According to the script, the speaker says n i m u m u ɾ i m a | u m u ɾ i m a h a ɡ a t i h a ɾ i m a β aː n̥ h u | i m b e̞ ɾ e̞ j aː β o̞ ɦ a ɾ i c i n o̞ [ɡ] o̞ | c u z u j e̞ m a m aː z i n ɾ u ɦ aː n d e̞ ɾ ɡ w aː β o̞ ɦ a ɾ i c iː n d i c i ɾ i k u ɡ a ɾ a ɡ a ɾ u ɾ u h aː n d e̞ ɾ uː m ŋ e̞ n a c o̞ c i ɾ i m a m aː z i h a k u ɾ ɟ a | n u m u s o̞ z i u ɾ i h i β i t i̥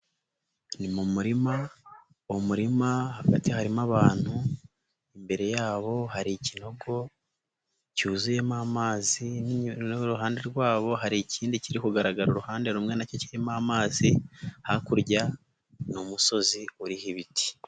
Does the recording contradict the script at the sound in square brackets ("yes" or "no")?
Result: no